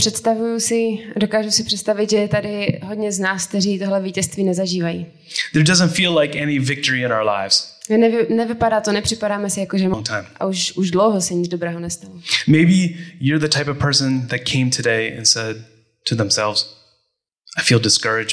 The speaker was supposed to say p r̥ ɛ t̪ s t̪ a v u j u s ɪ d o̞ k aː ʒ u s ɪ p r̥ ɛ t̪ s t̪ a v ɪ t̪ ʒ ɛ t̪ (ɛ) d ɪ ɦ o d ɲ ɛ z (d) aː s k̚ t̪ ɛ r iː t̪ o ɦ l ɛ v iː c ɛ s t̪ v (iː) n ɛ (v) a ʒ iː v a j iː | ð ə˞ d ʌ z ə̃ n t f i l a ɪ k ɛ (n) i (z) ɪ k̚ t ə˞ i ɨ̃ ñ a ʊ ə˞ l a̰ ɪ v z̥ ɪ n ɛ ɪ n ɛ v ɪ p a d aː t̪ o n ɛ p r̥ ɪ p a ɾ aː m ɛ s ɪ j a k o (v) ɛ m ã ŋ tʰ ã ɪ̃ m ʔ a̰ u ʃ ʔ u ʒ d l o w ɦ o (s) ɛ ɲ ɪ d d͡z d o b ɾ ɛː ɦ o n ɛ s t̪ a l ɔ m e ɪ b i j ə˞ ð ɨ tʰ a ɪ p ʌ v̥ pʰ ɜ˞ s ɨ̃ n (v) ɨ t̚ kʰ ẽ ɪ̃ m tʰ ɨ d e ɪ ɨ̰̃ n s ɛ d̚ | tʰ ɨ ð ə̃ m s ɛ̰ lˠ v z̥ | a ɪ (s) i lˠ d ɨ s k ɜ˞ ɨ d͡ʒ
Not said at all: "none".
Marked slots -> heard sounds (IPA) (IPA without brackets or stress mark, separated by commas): a, n, iː, z, n, v, ʒ, s, ð, f